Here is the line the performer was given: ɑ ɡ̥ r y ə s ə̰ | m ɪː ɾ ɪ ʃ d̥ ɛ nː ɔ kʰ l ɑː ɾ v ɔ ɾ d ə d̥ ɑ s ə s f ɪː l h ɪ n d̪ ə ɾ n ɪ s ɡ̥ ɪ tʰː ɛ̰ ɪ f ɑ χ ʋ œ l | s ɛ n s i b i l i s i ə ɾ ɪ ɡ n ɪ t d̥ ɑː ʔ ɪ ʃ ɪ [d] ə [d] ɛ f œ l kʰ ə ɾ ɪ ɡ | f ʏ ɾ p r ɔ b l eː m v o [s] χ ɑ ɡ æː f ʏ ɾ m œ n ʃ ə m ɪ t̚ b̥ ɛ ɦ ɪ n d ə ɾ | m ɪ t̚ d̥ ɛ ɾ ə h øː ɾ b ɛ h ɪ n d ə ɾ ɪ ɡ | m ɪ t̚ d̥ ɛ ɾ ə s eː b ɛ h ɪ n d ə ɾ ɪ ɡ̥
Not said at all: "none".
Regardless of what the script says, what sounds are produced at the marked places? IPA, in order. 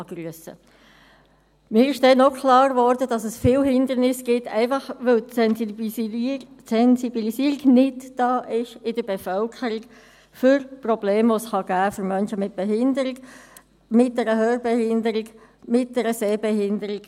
d, b, s

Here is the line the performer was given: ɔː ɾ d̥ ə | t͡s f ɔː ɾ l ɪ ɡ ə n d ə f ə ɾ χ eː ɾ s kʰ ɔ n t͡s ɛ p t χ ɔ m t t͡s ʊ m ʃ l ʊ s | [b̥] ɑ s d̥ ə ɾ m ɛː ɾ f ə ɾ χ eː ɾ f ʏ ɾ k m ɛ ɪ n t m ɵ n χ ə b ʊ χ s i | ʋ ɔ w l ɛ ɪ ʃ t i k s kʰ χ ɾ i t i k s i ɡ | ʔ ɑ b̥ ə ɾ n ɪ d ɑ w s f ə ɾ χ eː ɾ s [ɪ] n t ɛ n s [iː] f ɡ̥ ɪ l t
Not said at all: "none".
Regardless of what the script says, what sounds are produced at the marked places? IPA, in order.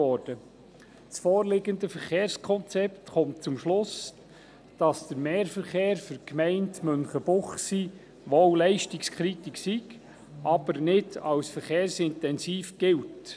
d̥, ɪ, iː

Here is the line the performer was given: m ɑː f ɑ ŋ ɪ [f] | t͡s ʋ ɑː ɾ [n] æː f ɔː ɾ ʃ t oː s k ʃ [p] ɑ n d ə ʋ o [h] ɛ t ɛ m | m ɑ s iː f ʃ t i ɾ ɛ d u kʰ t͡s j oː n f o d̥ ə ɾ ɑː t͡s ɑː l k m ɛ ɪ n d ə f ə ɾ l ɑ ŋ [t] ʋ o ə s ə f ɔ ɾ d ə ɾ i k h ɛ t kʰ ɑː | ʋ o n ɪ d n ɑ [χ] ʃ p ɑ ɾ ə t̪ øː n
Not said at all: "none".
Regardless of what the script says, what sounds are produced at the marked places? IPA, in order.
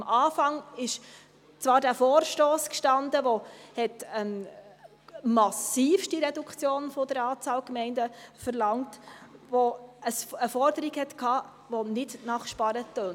ʃ, d, t, h, t, χ

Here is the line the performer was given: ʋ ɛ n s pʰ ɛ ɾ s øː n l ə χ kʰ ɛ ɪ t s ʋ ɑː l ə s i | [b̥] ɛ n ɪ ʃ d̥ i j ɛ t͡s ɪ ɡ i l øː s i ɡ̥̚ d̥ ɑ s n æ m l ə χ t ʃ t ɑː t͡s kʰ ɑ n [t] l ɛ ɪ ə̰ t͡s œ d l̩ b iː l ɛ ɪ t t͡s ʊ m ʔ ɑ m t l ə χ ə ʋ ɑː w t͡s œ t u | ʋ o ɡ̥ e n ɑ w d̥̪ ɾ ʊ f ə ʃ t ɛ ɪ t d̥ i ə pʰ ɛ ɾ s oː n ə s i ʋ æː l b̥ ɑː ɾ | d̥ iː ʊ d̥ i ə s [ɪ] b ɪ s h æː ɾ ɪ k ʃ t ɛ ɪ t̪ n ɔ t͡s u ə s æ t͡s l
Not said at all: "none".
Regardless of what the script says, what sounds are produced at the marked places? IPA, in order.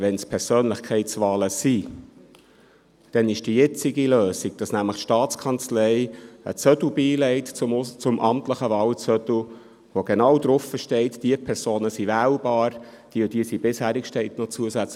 d̥, t͡s, i

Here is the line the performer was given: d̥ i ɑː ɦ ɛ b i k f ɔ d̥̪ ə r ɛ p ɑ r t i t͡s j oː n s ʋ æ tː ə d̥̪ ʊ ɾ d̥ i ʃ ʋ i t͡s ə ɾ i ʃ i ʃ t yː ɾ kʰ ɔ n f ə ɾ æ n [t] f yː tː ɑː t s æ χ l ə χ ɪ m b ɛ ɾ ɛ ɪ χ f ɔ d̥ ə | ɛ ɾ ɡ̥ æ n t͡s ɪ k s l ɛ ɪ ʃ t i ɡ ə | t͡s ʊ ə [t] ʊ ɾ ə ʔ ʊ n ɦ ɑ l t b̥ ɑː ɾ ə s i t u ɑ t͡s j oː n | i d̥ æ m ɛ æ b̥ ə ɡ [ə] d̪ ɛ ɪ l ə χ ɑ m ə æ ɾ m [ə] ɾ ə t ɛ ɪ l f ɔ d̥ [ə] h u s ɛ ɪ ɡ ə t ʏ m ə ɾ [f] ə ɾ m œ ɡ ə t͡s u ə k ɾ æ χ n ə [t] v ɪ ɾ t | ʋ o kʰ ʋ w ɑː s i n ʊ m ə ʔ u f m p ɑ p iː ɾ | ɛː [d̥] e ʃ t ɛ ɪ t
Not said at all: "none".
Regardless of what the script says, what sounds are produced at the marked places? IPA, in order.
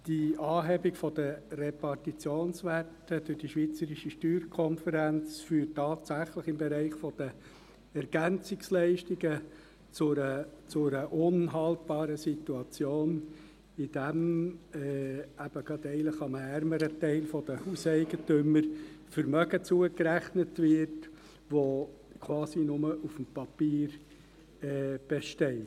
t͡s, t͡s, ɑ, ə, ə, f, t, b̥

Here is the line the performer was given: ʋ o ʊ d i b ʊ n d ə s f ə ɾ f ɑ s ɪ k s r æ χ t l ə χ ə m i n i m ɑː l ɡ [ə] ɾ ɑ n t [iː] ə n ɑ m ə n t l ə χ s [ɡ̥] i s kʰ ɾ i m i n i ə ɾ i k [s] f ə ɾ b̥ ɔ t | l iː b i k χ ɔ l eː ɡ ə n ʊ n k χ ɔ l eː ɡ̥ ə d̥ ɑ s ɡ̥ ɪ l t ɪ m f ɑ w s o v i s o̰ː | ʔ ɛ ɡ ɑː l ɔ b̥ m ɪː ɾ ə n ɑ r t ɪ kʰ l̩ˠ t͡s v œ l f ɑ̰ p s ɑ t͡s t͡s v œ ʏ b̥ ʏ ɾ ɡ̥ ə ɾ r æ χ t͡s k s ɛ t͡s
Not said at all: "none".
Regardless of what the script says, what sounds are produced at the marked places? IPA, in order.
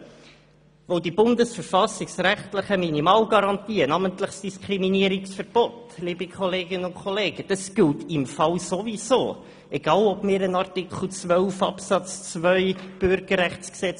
ɑ, iː, d̥, s

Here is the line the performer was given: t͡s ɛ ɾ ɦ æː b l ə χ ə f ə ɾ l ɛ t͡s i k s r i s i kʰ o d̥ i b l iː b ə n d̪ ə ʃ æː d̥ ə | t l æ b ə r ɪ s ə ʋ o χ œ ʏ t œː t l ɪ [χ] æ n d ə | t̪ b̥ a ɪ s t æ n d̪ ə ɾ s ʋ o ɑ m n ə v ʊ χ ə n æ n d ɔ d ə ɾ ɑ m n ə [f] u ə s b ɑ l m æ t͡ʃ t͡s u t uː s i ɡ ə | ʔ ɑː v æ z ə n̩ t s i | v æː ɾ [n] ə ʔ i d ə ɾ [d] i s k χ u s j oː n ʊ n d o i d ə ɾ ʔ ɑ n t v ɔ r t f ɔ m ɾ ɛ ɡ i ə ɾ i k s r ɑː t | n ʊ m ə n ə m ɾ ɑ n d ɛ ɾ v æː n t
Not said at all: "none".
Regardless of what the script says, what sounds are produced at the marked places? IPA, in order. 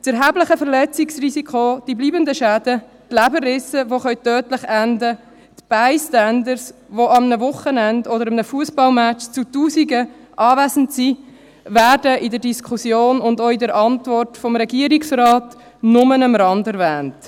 χ, f, d, d

